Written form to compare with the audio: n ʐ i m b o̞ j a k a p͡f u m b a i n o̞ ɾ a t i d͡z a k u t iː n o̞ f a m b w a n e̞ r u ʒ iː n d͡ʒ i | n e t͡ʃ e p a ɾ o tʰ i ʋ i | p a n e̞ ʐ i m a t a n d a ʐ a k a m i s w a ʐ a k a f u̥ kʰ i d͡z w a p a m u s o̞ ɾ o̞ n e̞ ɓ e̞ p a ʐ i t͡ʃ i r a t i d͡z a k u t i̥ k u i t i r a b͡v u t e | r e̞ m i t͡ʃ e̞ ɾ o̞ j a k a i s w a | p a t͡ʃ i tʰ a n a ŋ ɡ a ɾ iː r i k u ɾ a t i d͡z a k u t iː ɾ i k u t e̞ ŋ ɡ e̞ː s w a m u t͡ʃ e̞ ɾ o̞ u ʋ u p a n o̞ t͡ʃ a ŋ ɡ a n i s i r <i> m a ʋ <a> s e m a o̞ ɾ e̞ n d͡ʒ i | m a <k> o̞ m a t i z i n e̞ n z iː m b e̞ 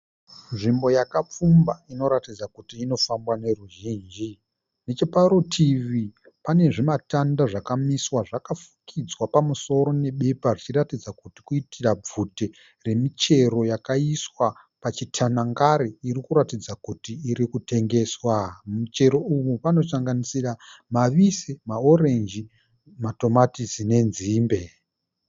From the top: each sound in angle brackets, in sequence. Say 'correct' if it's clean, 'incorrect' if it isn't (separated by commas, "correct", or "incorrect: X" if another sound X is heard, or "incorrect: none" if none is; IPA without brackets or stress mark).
incorrect: a, incorrect: i, incorrect: t